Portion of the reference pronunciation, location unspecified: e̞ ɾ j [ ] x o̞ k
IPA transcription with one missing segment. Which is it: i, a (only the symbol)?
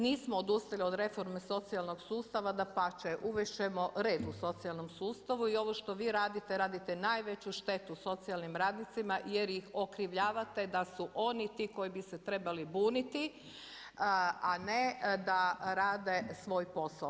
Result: i